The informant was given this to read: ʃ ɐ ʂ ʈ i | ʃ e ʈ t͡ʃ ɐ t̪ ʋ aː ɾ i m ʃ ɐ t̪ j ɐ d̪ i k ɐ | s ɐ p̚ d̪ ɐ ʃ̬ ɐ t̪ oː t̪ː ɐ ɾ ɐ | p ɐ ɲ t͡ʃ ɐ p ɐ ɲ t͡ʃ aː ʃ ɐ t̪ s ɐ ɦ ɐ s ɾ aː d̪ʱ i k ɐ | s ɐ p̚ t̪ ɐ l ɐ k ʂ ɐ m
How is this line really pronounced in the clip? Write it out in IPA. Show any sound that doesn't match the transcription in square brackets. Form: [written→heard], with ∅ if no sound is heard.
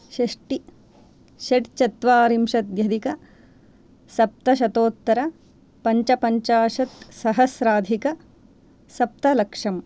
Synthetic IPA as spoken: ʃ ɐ ʂ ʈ i | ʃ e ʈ t͡ʃ ɐ t̪ ʋ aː ɾ i m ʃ ɐ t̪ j ɐ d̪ i k ɐ | s ɐ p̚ [d̪→t̪] ɐ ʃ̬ ɐ t̪ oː t̪ː ɐ ɾ ɐ | p ɐ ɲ t͡ʃ ɐ p ɐ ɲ t͡ʃ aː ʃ ɐ t̪ s ɐ ɦ ɐ s ɾ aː d̪ʱ i k ɐ | s ɐ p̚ t̪ ɐ l ɐ k ʂ ɐ m

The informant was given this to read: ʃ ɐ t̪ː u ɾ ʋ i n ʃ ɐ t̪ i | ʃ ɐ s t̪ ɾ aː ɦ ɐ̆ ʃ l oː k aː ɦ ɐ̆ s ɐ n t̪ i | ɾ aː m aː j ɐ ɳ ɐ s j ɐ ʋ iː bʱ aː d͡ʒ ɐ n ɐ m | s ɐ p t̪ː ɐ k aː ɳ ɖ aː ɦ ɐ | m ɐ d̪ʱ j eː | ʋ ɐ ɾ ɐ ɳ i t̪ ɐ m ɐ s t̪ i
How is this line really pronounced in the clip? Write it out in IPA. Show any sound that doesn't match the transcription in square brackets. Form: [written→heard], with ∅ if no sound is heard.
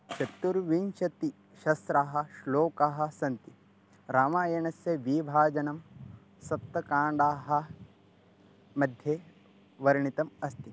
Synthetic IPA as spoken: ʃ ɐ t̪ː u ɾ ʋ i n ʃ ɐ t̪ i | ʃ ɐ s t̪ ɾ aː ɦ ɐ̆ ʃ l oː k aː ɦ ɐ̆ s ɐ n t̪ i | ɾ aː m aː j ɐ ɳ ɐ s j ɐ ʋ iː bʱ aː d͡ʒ ɐ n ɐ m | s ɐ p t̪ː ɐ k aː ɳ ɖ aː ɦ ɐ | m ɐ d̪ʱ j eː | ʋ ɐ ɾ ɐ ɳ i t̪ ɐ m ɐ s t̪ i

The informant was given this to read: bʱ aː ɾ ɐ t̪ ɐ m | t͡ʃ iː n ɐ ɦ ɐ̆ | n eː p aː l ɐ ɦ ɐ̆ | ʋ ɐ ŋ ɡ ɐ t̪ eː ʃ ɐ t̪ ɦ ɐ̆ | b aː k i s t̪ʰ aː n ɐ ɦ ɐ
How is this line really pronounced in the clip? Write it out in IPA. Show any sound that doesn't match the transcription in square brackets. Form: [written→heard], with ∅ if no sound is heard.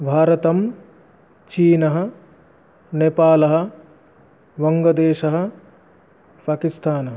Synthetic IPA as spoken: bʱ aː ɾ ɐ t̪ ɐ m | t͡ʃ iː n ɐ ɦ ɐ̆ | n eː p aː l ɐ ɦ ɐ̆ | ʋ ɐ ŋ ɡ ɐ [t̪→d̪] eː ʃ ɐ [t̪→∅] ɦ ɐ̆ | [b→p] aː k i s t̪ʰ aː n ɐ ɦ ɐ

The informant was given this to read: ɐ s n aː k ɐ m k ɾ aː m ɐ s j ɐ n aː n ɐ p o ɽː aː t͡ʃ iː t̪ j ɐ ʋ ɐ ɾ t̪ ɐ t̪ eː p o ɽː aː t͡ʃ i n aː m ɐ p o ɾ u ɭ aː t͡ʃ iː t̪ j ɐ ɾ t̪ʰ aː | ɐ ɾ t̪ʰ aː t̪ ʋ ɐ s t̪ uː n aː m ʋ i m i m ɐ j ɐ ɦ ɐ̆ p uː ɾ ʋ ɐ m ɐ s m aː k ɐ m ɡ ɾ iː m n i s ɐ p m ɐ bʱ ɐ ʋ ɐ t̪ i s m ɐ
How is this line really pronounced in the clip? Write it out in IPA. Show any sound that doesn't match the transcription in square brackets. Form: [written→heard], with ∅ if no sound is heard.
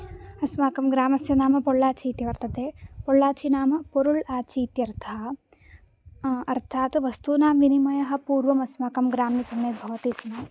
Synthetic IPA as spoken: ɐ s [n→m] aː k ɐ m [k→ɡ] ɾ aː m ɐ s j ɐ n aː [n→m] ɐ p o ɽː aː t͡ʃ iː t̪ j ɐ ʋ ɐ ɾ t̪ ɐ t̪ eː p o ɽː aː t͡ʃ i n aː m ɐ p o ɾ u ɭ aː t͡ʃ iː t̪ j ɐ ɾ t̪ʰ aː | ɐ ɾ t̪ʰ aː t̪ ʋ ɐ s t̪ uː n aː m ʋ i [m→n] i m ɐ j ɐ ɦ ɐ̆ p uː ɾ ʋ ɐ m ɐ s m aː k ɐ m ɡ ɾ [iː→aː] m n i s ɐ [p→∅] m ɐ bʱ ɐ ʋ ɐ t̪ i s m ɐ

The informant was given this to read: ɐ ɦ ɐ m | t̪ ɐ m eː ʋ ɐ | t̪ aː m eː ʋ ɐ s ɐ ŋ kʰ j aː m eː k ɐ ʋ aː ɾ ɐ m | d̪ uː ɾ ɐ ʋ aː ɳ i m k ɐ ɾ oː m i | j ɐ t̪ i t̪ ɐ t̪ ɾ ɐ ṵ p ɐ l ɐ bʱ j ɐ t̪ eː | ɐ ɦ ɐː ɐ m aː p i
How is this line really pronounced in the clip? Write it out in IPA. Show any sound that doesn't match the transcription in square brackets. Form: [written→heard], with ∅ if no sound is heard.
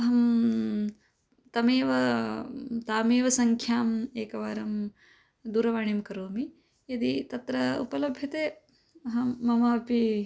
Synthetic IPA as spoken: ɐ ɦ ɐ m | t̪ ɐ m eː ʋ ɐ | t̪ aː m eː ʋ ɐ s ɐ ŋ kʰ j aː m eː k ɐ ʋ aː ɾ ɐ m | d̪ uː ɾ ɐ ʋ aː ɳ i m k ɐ ɾ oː m i | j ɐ [t̪→d̪] i t̪ ɐ t̪ ɾ ɐ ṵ p ɐ l ɐ bʱ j ɐ t̪ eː | ɐ ɦ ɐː ɐ m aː p i

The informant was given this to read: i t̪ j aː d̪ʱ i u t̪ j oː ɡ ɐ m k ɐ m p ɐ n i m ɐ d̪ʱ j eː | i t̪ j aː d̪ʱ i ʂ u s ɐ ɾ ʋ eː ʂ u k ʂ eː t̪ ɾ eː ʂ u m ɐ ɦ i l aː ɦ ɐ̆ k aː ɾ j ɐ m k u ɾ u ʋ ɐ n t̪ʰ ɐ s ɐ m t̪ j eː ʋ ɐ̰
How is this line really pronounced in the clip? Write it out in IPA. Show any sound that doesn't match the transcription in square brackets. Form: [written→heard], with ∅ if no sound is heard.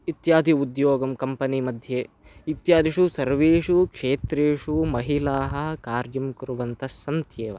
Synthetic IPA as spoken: i t̪ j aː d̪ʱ i u [t̪→d̪] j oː ɡ ɐ m k ɐ m p ɐ n i m ɐ d̪ʱ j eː | i t̪ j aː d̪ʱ i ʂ u s ɐ ɾ ʋ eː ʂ u k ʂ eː t̪ ɾ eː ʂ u m ɐ ɦ i l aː ɦ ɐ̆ k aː ɾ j ɐ m k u ɾ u ʋ ɐ n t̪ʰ ɐ s ɐ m t̪ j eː ʋ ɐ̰

